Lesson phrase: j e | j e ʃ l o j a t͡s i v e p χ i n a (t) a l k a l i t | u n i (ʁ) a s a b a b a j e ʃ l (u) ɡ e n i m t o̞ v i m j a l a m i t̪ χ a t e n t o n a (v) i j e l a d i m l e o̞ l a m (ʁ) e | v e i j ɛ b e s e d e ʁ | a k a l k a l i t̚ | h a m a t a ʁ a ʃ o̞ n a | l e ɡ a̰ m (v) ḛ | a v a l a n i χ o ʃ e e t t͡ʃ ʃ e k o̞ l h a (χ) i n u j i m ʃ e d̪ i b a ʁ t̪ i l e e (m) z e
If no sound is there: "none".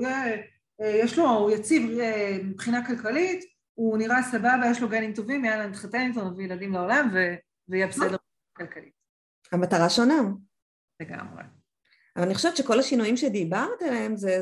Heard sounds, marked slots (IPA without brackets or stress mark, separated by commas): k, ʁ, o, v, v, ʁ, ʃ, m